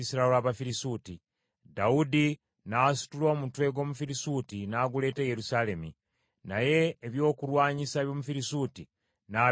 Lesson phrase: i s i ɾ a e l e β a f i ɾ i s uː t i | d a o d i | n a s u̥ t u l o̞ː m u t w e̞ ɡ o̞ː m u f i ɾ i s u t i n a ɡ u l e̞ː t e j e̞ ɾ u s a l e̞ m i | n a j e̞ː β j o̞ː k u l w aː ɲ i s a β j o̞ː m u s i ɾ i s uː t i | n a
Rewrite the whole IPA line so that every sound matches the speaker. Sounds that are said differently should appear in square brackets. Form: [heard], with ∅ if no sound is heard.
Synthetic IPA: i s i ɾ a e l [a] β a f i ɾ i s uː t i | d a [u] d i | n a s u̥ t u l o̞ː m u t w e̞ ɡ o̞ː m u f i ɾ i s u t i n a ɡ u l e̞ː t e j e̞ ɾ u s a l e̞ m i | n a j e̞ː β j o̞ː k u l w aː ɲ i s a β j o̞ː m u [f] i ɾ i s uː t i | n a